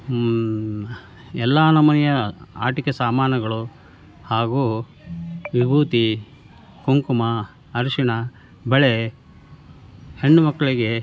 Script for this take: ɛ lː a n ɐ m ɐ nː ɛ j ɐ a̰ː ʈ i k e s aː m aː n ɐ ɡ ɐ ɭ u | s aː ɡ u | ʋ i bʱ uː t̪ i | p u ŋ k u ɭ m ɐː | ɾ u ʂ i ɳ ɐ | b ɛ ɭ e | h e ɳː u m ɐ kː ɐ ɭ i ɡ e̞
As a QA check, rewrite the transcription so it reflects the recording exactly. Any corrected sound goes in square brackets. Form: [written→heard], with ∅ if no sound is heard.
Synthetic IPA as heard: ɛ lː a n ɐ m ɐ [nː→n] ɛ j ɐ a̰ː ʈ i k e s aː m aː n ɐ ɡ ɐ ɭ u | [s→h] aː ɡ u | ʋ i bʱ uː t̪ i | [p→k] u ŋ k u [ɭ→∅] m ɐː | ɾ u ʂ i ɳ ɐ | b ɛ ɭ e | h e ɳː u m ɐ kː ɐ ɭ i ɡ e̞

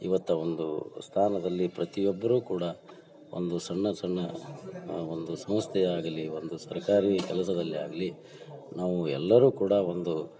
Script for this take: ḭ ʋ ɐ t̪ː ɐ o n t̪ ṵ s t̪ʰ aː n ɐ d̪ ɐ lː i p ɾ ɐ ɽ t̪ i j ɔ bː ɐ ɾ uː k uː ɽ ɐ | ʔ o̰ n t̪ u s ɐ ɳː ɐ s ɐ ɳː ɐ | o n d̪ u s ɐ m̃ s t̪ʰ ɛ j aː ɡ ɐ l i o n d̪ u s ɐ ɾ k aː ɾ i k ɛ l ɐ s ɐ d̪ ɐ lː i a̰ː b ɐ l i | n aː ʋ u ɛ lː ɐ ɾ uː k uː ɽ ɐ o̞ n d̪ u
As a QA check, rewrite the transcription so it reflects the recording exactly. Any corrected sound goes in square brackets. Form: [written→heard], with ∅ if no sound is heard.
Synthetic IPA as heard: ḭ ʋ ɐ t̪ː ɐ o n [t̪→d̪] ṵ s t̪ʰ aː n ɐ d̪ ɐ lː i p ɾ ɐ [ɽ→∅] t̪ i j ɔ bː ɐ ɾ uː k uː ɽ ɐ | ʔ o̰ n [t̪→d̪] u s ɐ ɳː ɐ s ɐ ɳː ɐ | o n d̪ u s ɐ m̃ s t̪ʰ ɛ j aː ɡ ɐ l i o n d̪ u s ɐ ɾ k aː ɾ i k ɛ l ɐ s ɐ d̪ ɐ lː i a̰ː [b→ɡ] ɐ l i | n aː ʋ u ɛ lː ɐ ɾ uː k uː ɽ ɐ o̞ n d̪ u

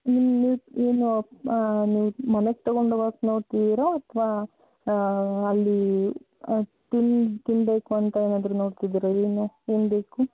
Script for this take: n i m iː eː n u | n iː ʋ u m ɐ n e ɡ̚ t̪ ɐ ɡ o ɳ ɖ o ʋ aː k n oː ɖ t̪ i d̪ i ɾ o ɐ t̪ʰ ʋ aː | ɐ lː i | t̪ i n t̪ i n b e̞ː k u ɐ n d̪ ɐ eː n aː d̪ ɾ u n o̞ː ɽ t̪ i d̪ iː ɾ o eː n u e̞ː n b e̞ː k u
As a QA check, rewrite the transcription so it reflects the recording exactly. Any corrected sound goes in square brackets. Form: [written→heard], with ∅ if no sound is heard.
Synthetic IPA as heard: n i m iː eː n u | n iː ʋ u m ɐ n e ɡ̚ t̪ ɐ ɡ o ɳ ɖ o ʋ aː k n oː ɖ t̪ i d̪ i ɾ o ɐ t̪ʰ ʋ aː | ɐ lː i | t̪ i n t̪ i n b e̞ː k u ɐ n [d̪→t̪] ɐ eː n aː d̪ ɾ u n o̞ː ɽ t̪ i d̪ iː ɾ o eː n u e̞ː n b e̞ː k u

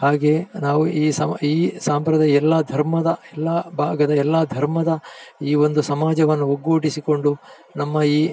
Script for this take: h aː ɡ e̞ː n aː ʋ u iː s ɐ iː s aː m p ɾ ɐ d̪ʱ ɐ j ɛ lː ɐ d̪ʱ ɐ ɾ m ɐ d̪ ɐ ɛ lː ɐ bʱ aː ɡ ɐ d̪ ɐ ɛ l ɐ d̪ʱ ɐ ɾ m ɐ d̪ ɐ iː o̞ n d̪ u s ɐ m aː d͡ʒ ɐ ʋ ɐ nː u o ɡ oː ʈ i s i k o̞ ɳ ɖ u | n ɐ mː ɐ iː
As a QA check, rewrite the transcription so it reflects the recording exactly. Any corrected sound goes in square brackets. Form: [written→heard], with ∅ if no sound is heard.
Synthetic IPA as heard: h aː ɡ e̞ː n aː ʋ u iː s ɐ iː s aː m p ɾ ɐ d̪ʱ ɐ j ɛ lː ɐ d̪ʱ ɐ ɾ m ɐ d̪ ɐ ɛ lː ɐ bʱ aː ɡ ɐ d̪ ɐ ɛ [l→lː] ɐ d̪ʱ ɐ ɾ m ɐ d̪ ɐ iː o̞ n d̪ u s ɐ m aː d͡ʒ ɐ ʋ ɐ nː u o ɡ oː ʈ i s i k o̞ ɳ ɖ u | n ɐ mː ɐ iː

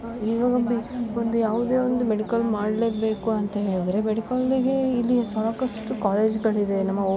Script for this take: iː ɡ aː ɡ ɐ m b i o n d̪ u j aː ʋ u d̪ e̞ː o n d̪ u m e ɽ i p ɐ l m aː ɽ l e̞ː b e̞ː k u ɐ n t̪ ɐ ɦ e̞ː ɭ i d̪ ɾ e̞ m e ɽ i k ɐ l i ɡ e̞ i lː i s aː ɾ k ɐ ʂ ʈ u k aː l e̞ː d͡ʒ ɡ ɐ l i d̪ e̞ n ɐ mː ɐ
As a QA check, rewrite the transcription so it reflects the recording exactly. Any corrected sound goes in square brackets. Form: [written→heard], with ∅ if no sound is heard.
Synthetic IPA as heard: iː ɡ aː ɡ ɐ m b i o n d̪ u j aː ʋ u d̪ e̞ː o n d̪ u m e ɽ i [p→k] ɐ l m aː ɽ l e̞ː b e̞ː k u ɐ n t̪ ɐ ɦ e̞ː ɭ i d̪ ɾ e̞ m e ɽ i k ɐ l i ɡ e̞ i lː i s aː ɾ k ɐ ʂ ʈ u k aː l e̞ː d͡ʒ ɡ ɐ [l→ɭ] i d̪ e̞ n ɐ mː ɐ

